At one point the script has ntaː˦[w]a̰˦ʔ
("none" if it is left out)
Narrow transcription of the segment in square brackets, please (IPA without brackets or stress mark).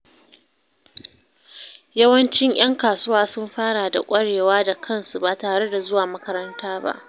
b